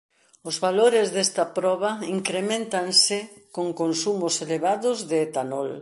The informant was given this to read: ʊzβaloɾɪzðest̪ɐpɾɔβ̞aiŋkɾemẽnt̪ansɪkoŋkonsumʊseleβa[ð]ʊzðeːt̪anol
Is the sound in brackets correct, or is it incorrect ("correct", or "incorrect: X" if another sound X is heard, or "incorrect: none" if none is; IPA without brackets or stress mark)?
correct